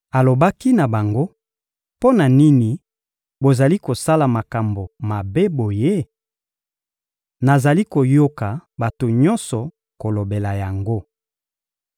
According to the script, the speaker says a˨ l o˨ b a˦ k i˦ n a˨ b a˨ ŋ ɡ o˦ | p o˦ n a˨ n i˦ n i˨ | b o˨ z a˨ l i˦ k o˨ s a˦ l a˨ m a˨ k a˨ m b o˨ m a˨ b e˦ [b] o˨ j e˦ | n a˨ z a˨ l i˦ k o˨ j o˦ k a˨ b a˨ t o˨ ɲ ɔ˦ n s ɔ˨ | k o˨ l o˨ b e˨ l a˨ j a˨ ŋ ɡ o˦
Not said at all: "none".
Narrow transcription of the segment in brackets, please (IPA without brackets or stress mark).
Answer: b